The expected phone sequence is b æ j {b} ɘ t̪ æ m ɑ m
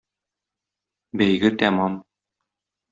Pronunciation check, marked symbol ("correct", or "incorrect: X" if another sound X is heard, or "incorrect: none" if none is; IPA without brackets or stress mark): incorrect: ɡ